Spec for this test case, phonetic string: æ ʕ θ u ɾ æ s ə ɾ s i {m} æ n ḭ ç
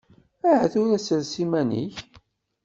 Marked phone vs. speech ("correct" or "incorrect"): correct